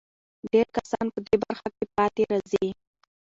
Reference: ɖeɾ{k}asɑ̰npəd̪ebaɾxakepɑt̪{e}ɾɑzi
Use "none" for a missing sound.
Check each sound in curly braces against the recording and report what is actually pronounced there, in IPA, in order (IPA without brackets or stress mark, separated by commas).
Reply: k, e